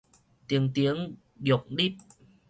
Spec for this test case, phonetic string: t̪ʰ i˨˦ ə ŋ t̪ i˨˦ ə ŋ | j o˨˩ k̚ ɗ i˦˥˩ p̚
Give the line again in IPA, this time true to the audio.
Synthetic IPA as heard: t̪ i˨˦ ə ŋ t̪ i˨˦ ə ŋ | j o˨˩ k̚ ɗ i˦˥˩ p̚